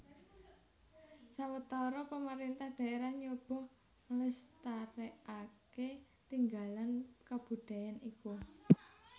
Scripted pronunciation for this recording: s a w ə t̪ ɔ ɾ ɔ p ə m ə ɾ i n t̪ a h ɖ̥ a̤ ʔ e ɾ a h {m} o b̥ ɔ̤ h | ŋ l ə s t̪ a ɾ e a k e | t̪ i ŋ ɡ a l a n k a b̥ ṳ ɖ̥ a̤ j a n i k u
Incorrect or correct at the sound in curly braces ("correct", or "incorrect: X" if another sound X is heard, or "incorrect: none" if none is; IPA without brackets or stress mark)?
incorrect: ɲ